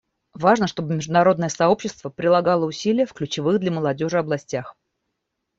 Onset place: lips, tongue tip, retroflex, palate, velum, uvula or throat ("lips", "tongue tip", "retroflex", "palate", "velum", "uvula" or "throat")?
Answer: lips